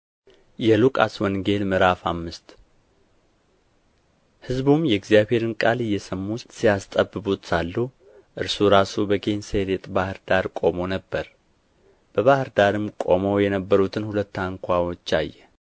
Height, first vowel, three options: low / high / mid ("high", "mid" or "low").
mid